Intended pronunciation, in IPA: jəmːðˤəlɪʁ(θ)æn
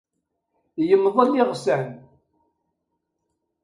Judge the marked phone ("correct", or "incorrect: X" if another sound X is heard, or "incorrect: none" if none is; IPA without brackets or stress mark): incorrect: s